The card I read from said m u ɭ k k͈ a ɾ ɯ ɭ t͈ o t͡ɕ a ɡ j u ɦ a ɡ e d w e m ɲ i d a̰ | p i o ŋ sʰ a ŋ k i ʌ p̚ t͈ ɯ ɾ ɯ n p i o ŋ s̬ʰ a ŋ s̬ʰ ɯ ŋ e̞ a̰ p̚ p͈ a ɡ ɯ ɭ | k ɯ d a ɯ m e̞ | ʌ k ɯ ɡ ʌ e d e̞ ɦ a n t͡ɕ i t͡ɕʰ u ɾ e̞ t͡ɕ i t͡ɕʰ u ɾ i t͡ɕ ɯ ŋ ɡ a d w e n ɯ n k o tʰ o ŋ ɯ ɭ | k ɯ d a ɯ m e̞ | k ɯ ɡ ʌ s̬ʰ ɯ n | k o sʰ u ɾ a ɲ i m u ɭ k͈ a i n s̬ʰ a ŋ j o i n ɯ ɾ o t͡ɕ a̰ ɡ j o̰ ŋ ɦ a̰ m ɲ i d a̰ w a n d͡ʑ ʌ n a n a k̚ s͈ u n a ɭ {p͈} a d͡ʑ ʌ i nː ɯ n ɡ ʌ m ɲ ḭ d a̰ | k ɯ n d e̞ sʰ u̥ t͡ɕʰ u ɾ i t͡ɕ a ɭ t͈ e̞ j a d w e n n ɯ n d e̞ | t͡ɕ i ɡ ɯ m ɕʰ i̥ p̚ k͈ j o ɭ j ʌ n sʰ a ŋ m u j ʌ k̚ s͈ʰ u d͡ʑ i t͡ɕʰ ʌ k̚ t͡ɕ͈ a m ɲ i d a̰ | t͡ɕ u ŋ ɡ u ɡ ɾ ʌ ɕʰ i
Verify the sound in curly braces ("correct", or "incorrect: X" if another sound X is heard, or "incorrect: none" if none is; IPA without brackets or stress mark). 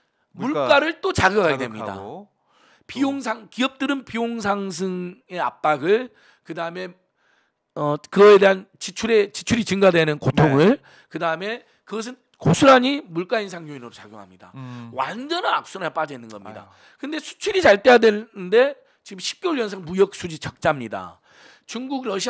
correct